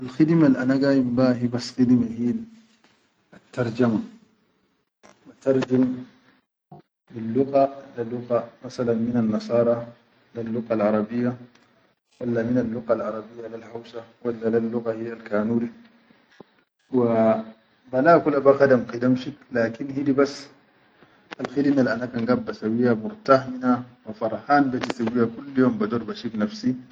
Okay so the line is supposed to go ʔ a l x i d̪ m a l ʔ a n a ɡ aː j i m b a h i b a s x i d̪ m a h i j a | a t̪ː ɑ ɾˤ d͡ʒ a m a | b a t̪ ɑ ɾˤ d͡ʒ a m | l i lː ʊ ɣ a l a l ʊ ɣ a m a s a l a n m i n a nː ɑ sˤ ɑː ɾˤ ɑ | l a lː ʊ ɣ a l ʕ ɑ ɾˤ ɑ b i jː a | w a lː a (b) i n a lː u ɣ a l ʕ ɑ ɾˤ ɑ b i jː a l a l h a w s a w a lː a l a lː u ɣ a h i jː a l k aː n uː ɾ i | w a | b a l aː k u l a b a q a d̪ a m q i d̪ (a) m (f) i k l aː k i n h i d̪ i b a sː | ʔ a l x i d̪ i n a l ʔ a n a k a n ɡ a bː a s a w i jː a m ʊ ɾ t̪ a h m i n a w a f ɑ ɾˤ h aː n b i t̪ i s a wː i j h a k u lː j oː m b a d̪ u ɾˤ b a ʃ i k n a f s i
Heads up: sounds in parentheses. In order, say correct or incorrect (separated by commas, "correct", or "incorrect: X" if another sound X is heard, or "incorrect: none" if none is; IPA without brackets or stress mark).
incorrect: m, correct, incorrect: ʃ